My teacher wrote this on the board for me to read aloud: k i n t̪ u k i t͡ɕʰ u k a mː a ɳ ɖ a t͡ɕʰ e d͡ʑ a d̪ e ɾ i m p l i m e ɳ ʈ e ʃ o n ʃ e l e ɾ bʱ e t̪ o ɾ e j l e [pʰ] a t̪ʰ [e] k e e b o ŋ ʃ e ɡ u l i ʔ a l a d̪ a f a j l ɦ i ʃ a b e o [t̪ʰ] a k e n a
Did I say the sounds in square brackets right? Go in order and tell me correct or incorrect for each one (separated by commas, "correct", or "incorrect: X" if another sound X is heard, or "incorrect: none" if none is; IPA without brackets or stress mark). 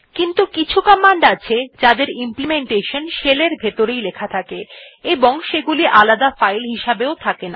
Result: incorrect: kʰ, incorrect: a, correct